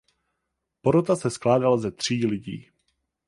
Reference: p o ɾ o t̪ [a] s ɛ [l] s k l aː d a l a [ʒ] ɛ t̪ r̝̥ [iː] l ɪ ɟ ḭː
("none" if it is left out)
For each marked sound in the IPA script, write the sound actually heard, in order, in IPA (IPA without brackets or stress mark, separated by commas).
a, none, z, iː